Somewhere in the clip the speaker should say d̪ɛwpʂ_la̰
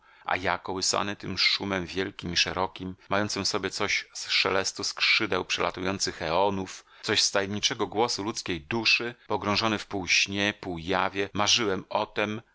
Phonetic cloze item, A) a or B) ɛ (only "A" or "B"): B